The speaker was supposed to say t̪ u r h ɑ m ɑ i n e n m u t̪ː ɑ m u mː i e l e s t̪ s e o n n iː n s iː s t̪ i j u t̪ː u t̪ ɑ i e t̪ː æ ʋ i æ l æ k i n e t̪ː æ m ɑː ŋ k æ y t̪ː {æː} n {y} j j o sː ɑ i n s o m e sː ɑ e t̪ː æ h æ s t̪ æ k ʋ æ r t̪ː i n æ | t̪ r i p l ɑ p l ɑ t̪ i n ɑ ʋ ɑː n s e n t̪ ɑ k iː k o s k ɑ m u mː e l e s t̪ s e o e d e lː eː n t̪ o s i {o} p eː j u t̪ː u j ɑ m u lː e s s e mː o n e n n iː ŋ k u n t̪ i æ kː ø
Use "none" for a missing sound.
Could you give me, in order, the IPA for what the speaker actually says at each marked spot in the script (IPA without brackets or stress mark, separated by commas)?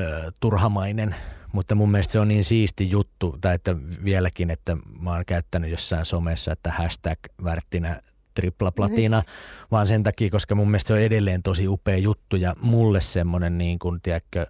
æ, y, u